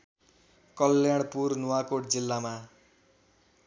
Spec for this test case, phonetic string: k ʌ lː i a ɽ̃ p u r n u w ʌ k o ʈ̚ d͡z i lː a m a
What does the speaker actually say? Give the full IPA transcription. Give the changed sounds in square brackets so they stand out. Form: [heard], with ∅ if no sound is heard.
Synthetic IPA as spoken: k ʌ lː [j] a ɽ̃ p u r n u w [a] k o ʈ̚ d͡z i lː a m a